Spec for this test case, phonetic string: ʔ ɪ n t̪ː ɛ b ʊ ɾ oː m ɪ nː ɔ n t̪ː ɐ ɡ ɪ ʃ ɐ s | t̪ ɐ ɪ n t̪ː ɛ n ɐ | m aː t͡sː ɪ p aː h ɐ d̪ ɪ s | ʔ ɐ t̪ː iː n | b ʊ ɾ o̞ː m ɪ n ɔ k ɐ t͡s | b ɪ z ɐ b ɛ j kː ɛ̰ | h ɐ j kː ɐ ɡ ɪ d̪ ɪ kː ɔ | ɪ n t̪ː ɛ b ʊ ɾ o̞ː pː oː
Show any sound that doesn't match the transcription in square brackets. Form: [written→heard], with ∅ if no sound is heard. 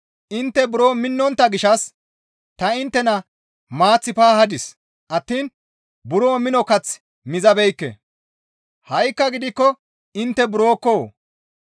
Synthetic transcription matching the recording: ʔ ɪ n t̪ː ɛ b ʊ ɾ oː m ɪ nː ɔ n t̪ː ɐ ɡ ɪ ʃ ɐ s | t̪ ɐ ɪ n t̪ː ɛ n ɐ | m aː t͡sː ɪ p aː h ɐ d̪ ɪ s | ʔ ɐ t̪ː iː n | b ʊ ɾ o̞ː m ɪ n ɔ k ɐ t͡s | [b→m] ɪ z ɐ b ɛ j kː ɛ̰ | h ɐ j kː ɐ ɡ ɪ d̪ ɪ kː ɔ | ɪ n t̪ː ɛ b ʊ ɾ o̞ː [pː→kː] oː